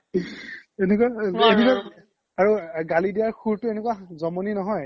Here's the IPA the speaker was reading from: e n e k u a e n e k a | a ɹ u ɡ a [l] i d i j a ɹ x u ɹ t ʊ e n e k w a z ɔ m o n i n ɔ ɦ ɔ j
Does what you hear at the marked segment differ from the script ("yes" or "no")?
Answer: no